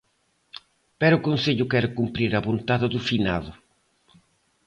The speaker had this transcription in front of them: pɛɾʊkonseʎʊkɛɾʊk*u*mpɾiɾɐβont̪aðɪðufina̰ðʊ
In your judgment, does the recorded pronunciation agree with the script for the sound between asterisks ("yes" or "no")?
yes